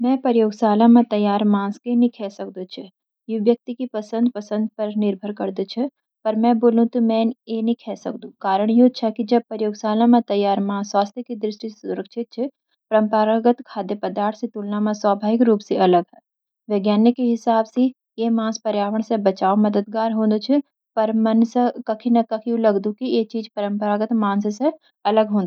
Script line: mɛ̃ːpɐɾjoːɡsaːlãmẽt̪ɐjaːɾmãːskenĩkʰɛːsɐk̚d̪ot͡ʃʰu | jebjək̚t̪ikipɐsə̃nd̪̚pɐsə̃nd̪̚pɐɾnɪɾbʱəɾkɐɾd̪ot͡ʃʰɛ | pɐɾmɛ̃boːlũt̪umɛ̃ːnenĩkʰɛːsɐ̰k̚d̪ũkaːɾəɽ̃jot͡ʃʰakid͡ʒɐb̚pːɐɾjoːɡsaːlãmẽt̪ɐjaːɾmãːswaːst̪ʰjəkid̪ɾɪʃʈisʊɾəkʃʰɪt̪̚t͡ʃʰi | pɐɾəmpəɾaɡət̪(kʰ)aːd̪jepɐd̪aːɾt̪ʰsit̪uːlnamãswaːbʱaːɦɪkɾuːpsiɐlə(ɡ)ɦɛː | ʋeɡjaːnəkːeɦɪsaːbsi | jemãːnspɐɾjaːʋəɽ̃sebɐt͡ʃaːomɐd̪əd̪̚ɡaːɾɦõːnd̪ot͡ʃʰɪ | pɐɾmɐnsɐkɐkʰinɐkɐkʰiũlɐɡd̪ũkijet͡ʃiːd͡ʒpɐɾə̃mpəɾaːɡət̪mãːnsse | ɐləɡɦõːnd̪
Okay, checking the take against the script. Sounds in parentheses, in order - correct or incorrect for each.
correct, correct

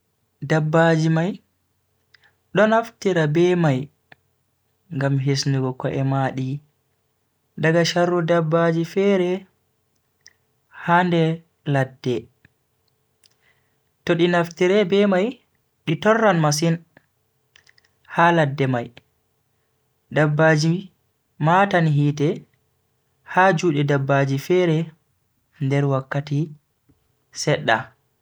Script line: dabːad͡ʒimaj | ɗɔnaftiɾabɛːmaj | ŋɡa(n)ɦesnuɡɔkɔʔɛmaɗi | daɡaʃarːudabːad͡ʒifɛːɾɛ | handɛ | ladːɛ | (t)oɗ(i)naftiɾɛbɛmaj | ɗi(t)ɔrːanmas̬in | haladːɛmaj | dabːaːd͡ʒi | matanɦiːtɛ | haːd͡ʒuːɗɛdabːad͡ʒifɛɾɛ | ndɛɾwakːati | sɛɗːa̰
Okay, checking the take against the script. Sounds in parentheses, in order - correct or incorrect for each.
incorrect, correct, correct, correct

